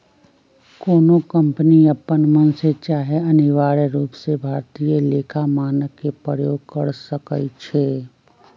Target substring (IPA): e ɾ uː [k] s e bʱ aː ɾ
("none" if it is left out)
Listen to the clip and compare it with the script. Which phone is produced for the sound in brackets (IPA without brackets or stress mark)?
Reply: p